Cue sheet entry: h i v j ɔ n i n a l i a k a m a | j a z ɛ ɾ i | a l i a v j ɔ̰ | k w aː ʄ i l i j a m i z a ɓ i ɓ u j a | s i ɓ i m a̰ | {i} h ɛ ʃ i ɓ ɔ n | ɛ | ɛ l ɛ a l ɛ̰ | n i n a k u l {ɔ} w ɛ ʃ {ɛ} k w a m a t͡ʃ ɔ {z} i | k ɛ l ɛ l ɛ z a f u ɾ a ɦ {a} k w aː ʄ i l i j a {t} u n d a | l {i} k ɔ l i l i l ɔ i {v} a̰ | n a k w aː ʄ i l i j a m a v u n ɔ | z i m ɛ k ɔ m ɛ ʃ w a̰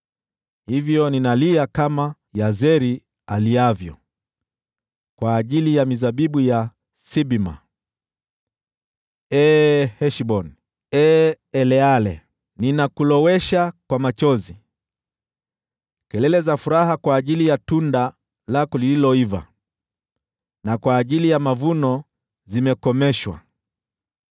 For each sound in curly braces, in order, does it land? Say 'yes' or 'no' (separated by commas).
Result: no, yes, no, yes, yes, yes, no, yes